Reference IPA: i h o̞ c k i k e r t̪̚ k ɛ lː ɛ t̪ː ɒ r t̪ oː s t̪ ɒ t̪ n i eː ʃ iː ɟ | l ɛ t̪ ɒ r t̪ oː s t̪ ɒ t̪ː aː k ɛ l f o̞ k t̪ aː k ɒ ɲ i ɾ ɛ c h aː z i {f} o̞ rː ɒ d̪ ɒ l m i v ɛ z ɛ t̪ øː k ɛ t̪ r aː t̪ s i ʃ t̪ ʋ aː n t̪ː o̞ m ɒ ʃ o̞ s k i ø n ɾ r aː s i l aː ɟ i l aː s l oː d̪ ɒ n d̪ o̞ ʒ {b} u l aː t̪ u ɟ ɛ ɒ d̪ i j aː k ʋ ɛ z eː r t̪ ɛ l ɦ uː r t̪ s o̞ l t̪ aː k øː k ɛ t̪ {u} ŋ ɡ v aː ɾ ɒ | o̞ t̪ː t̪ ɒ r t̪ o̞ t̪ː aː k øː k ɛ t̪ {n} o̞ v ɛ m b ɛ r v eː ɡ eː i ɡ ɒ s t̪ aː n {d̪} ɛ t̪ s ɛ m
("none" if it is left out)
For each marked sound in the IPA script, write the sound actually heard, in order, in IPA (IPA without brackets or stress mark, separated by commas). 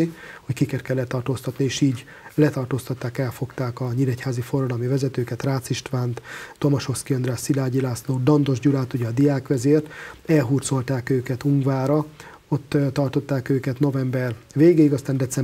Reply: f, ɟ, u, n, d̪